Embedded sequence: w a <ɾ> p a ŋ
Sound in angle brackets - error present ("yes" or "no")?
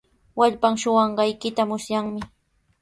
yes